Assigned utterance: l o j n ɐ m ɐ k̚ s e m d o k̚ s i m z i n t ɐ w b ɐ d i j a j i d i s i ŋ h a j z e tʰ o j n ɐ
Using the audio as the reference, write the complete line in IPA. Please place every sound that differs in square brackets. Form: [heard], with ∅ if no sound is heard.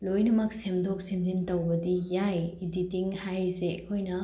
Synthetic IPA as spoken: l o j n ɐ m ɐ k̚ s e m d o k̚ s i m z i n t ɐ w b ɐ d i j a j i d i [t] i ŋ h a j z e [kʰ] o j n ɐ

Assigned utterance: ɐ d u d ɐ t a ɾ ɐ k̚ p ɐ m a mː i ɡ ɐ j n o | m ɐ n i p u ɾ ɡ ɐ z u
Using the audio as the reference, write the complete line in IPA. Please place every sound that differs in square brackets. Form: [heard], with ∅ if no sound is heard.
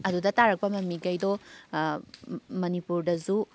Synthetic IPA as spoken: ɐ d u d ɐ t a ɾ ɐ k̚ p ɐ m [ɐ] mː i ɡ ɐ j [d] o | m ɐ n i p u ɾ [d] ɐ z u

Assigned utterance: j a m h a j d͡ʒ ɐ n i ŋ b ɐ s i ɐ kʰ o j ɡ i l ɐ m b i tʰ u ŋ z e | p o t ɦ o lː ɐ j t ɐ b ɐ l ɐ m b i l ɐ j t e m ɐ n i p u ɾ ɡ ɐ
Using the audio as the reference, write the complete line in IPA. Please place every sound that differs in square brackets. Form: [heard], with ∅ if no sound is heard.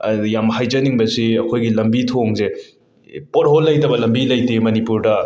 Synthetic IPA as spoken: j a m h a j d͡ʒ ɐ n i ŋ b ɐ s i ɐ kʰ o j ɡ i l ɐ m b i tʰ [o] ŋ z e | p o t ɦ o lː ɐ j t ɐ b ɐ l ɐ m b i l ɐ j t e m ɐ n i p u ɾ [d] ɐ

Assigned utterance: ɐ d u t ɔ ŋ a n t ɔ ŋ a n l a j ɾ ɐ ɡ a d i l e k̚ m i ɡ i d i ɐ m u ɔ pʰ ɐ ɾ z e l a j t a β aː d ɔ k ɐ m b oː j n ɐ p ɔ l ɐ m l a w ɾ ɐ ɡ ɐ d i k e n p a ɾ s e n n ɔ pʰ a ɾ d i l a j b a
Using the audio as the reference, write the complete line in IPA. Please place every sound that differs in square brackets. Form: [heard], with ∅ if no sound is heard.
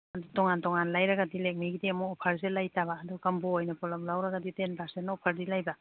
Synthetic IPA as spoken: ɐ d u t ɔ ŋ a n t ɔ ŋ a n l a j ɾ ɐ ɡ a d i l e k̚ m i ɡ i d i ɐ m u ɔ pʰ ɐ ɾ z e l a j t a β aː d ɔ k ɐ m b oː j n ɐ p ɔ l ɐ m l a w ɾ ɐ ɡ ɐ d i [t] e n p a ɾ s e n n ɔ pʰ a ɾ d i l a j b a

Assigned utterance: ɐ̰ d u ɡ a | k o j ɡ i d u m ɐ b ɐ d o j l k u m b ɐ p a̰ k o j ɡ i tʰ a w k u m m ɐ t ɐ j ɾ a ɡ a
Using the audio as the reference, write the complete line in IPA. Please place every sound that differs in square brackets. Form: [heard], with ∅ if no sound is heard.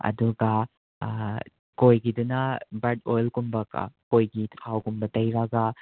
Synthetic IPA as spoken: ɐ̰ d u ɡ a | k o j ɡ i d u [n] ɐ b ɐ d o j l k u m b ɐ [k] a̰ k o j ɡ i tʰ a w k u m [b] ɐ t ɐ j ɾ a ɡ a

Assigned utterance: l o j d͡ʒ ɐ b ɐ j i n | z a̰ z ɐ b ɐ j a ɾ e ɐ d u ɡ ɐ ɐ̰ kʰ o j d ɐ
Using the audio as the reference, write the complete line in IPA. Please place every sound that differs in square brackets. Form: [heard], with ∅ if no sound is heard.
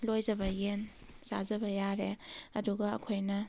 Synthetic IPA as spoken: l o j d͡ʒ ɐ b ɐ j [e] n | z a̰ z ɐ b ɐ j a ɾ e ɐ d u ɡ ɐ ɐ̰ kʰ o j [n] ɐ

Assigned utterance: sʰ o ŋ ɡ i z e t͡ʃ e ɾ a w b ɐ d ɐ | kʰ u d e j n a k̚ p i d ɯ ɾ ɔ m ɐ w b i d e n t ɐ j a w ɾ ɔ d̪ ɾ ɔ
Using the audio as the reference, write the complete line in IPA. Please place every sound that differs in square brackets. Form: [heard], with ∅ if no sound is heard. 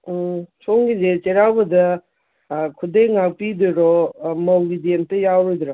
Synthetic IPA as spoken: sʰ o ŋ ɡ i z e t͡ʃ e ɾ a w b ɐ d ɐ | kʰ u d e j [ŋ] a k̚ p i d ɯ ɾ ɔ m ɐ w [ɡ] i d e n t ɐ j a w ɾ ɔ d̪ ɾ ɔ

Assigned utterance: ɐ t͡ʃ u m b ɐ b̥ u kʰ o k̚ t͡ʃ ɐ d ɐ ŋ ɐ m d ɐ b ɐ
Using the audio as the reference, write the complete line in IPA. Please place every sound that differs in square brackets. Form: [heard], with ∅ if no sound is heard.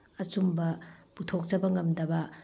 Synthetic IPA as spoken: ɐ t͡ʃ u m b ɐ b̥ u [tʰ] o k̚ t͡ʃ ɐ [b] ɐ ŋ ɐ m d ɐ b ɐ

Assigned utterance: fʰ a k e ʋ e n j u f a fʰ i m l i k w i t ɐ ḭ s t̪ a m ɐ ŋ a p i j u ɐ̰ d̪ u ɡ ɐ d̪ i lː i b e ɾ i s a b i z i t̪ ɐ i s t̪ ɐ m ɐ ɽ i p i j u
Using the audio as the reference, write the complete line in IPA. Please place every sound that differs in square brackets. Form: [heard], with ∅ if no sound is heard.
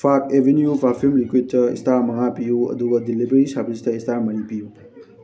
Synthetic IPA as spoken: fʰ a k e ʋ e n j u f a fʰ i m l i k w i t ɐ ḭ s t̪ a m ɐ ŋ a p i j u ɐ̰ d̪ u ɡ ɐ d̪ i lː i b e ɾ i s a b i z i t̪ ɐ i s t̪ [a] m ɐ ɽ i p i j u

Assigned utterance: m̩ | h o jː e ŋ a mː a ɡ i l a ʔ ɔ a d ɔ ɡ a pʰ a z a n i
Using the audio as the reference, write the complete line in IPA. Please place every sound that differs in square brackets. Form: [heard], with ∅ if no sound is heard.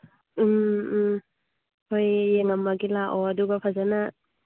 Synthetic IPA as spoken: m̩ | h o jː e ŋ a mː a ɡ i l a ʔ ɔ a d [u] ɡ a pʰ a z a n [a]

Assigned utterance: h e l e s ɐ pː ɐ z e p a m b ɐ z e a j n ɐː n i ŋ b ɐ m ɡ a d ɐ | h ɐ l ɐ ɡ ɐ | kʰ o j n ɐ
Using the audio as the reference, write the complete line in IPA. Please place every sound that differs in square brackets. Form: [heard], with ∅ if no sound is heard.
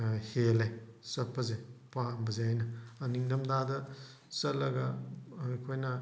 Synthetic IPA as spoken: h e l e s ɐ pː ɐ z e p a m b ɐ z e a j n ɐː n i ŋ [d] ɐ m [d] a d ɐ | [s] ɐ l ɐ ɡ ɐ | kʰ o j n ɐ

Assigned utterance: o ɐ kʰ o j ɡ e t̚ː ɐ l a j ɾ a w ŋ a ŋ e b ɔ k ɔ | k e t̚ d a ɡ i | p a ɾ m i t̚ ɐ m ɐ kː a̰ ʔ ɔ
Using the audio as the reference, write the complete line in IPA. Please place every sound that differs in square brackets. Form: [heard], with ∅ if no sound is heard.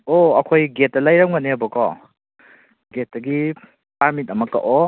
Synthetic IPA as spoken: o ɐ kʰ o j ɡ e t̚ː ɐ l a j ɾ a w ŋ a [n] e b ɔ k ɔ | [ɡ] e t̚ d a ɡ i | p a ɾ m i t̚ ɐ m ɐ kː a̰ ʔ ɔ

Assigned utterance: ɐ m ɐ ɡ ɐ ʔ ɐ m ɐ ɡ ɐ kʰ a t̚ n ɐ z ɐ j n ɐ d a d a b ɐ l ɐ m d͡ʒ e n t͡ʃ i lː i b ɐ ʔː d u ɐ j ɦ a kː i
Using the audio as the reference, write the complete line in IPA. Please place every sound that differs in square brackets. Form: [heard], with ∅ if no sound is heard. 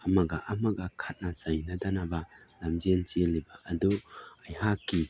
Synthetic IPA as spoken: ɐ m ɐ ɡ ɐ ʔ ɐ m ɐ ɡ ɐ kʰ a t̚ n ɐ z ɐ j n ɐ d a [n] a b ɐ l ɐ m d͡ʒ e n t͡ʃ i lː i b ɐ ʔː d u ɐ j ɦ a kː i

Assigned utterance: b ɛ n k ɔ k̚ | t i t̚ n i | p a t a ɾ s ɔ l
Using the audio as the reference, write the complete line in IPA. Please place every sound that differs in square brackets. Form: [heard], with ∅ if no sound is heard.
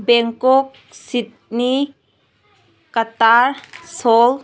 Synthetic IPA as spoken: b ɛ [ŋ] k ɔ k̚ | [s] i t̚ n i | [k] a t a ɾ s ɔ l

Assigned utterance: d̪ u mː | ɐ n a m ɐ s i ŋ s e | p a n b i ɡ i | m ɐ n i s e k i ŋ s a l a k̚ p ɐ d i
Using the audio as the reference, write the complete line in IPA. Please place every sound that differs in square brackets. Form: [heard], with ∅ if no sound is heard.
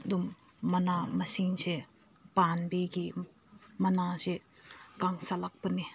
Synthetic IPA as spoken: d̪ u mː | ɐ n a m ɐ s i ŋ s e | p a n b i ɡ i | m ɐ n [a] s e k [a] ŋ s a l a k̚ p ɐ [n] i

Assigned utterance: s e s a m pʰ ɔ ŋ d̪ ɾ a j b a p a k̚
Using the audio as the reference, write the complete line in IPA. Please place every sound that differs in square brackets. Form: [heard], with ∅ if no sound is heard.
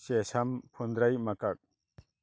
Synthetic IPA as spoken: s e s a m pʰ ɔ [n] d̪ ɾ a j [m] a [k] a k̚

